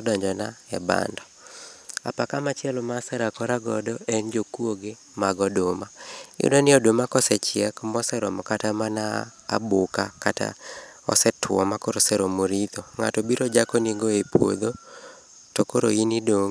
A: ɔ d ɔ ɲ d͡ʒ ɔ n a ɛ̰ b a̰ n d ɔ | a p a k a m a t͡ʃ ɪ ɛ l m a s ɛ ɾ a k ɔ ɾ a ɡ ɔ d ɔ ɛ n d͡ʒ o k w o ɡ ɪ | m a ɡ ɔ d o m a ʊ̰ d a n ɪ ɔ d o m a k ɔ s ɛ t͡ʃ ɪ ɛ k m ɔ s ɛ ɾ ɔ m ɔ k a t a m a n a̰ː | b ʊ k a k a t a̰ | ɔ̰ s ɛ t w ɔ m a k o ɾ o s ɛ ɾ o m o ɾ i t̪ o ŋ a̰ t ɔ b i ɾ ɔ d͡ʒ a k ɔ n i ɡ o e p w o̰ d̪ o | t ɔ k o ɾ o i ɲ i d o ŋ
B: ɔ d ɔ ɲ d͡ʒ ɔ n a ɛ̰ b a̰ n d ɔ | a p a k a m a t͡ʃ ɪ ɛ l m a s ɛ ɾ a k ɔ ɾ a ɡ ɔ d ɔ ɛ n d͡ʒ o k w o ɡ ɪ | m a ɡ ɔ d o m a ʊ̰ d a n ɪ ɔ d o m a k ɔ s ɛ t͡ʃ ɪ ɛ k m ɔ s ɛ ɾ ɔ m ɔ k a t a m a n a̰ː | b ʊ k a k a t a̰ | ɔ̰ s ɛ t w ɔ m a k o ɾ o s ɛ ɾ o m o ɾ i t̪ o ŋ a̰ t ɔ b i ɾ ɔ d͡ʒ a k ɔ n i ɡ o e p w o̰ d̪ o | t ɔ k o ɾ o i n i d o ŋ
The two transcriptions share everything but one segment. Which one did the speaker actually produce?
B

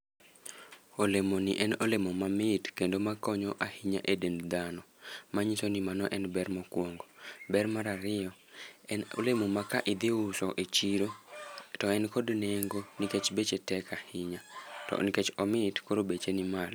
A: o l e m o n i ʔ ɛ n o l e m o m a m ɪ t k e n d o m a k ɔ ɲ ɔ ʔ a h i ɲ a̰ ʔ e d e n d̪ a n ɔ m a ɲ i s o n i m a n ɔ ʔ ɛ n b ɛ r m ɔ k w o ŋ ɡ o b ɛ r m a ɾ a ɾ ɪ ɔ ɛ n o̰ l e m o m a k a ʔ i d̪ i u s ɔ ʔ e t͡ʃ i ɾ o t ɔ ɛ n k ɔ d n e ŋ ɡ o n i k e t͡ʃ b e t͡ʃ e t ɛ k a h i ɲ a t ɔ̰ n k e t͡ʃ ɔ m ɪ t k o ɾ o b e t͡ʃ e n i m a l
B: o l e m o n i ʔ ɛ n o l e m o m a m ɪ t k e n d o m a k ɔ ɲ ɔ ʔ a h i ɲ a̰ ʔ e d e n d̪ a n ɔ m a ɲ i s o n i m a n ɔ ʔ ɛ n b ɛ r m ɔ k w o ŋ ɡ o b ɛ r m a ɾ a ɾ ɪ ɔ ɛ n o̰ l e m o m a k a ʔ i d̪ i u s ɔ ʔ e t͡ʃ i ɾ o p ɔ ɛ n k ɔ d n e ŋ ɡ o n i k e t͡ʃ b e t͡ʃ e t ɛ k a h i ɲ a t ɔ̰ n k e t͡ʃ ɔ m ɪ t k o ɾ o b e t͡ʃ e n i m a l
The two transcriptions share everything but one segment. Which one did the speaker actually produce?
A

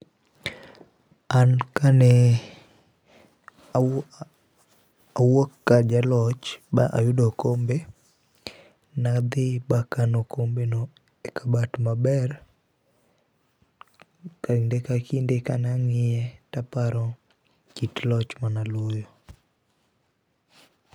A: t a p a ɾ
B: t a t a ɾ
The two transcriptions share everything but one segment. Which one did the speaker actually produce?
A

